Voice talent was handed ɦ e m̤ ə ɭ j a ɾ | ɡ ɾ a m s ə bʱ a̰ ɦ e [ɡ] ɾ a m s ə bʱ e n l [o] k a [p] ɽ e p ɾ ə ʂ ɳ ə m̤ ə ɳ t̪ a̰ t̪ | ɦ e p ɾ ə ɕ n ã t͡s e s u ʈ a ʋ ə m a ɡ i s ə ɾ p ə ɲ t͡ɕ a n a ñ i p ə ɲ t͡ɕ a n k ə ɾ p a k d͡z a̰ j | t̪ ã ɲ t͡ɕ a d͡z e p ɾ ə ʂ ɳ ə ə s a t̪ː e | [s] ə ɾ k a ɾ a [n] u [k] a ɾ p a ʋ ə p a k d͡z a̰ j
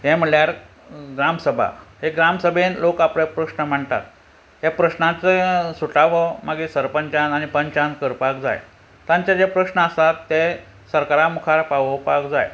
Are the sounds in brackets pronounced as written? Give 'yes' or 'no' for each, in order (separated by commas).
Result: yes, yes, yes, yes, no, no